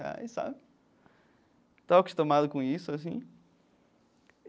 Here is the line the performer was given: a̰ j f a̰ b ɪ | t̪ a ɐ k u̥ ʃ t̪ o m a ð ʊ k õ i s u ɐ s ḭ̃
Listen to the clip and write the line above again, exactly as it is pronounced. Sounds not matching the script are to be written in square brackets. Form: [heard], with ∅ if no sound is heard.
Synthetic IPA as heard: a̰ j [s] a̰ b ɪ | t̪ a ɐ k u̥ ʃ t̪ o m a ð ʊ k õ i s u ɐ s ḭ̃